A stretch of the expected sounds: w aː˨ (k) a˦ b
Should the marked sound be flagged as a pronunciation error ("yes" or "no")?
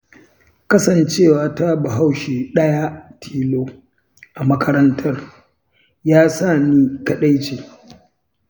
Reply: yes